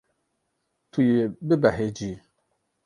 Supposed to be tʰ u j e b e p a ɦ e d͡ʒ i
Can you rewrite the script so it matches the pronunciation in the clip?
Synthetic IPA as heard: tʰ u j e b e b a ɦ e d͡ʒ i